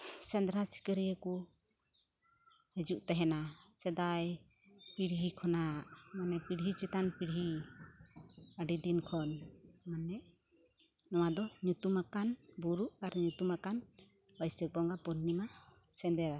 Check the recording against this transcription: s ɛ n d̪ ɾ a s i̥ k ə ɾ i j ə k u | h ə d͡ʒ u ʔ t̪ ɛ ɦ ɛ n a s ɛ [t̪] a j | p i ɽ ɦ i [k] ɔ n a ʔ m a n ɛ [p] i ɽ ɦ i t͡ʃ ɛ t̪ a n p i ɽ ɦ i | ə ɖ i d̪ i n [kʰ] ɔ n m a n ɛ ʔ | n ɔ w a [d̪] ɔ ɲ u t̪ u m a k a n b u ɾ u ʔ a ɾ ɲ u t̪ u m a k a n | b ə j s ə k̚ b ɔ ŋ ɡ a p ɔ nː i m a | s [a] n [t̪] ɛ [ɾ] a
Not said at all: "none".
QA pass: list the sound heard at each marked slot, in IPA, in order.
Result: d̪, kʰ, p, kʰ, d̪, ɛ, d̪, ɾ

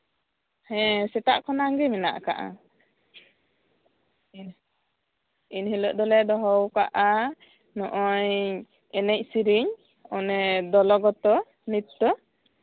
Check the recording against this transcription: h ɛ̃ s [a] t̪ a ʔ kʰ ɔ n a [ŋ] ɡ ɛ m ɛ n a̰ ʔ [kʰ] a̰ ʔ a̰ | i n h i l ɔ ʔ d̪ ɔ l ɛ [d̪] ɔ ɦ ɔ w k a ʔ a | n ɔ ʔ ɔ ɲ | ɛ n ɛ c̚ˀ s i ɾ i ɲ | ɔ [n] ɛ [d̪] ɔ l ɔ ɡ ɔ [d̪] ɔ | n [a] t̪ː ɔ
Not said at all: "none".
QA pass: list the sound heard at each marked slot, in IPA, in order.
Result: ɛ, ŋ, k, d̪, n, d̪, t̪, i

